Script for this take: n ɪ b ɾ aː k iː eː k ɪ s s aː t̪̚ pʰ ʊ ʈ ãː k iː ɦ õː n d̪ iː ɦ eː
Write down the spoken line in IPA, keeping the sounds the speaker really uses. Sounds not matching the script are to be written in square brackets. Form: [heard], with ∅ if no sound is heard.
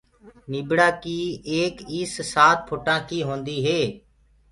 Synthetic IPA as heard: n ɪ b [ɽ] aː k iː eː k ɪ s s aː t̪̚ pʰ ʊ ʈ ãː k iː ɦ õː n d̪ iː ɦ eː